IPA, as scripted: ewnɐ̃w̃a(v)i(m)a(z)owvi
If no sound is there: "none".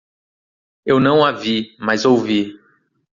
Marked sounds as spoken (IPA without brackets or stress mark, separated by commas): v, m, z